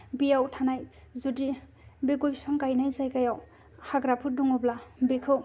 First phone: b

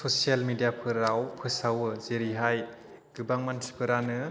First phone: s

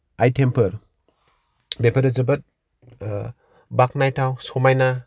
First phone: a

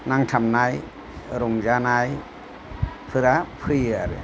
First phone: n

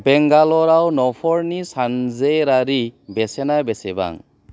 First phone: b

